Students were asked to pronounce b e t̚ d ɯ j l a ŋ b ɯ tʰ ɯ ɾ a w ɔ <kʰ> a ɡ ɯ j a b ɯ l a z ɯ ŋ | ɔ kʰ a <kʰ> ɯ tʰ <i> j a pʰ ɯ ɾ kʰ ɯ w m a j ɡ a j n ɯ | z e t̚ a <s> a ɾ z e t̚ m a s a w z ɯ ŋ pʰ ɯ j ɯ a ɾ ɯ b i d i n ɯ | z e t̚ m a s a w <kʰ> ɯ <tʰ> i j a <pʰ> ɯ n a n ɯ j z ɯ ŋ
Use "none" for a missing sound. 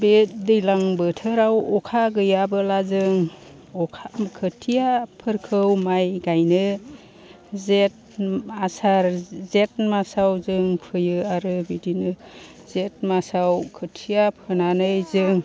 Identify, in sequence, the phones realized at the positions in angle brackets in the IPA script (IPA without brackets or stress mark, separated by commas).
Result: kʰ, kʰ, i, s, kʰ, tʰ, pʰ